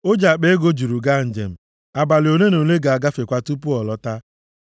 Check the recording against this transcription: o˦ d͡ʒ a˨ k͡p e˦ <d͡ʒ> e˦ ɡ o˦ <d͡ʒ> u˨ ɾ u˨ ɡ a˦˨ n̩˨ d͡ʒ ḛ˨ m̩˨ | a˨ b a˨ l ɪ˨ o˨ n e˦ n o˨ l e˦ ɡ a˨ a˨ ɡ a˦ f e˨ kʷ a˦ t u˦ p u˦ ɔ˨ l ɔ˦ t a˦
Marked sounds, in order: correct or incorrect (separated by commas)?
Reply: incorrect, correct